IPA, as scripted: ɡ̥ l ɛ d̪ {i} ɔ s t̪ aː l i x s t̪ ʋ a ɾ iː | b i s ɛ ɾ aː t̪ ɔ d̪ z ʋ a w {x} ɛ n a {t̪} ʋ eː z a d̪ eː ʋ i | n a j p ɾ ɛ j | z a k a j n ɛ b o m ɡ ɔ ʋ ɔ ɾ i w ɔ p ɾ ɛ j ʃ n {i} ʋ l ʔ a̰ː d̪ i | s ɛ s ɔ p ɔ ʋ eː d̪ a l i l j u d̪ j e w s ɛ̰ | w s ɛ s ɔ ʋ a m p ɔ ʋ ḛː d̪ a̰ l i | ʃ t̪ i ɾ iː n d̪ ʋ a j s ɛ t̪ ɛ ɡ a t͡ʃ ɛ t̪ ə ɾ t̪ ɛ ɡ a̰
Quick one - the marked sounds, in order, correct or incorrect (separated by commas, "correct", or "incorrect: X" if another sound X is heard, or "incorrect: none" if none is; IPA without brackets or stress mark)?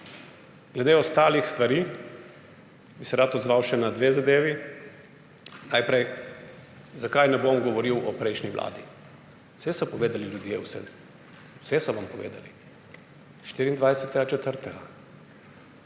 incorrect: e, incorrect: ʃ, incorrect: d̪, correct